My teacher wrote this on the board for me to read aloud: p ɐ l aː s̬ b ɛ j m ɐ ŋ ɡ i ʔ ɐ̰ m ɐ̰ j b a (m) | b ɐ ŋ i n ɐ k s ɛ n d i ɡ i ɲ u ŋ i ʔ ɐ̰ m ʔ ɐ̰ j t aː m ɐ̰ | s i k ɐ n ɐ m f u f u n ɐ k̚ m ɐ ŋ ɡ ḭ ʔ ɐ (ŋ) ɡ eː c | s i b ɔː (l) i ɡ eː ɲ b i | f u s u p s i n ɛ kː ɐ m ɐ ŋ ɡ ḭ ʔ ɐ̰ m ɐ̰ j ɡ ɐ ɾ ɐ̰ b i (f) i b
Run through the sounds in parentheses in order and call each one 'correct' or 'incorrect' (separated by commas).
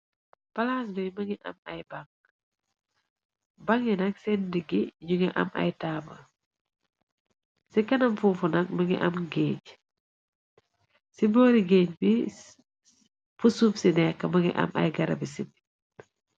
incorrect, incorrect, incorrect, incorrect